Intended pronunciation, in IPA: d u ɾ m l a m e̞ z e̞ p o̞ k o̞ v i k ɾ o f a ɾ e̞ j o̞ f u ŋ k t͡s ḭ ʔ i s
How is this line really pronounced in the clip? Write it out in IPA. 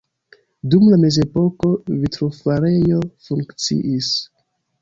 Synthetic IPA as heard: d u m l a m e̞ z e̞ p o̞ k o̞ v i t ɾ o f a ɾ e̞ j o̞ f u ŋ k t͡s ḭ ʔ i s